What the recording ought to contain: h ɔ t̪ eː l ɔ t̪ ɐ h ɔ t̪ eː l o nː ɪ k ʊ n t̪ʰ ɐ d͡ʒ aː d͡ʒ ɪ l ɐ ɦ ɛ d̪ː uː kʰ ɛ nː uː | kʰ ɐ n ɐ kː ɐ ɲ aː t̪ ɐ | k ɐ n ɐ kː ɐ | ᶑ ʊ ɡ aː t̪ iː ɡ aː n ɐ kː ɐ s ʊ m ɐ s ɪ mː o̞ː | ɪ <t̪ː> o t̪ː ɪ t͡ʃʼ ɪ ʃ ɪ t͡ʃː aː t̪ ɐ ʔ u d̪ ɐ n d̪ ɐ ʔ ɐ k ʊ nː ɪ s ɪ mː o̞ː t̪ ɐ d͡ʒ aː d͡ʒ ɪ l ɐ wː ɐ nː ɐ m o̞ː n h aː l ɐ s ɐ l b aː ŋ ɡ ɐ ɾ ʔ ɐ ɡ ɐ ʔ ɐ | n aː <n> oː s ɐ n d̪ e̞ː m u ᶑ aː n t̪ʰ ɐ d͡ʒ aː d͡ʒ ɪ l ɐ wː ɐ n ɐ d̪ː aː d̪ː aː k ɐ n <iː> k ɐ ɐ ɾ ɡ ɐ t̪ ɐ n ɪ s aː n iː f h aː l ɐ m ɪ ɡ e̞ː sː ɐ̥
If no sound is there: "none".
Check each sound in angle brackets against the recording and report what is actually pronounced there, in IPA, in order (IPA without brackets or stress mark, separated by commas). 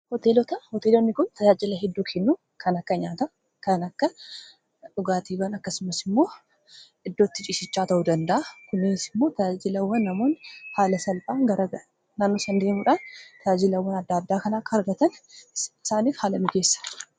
d̪ː, nː, aː